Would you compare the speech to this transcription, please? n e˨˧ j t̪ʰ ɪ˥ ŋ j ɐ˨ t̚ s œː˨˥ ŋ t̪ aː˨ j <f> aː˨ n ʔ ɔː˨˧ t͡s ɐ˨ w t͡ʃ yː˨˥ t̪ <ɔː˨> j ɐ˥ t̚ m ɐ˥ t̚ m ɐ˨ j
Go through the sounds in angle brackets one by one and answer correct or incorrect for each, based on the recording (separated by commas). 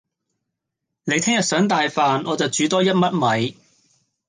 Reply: correct, incorrect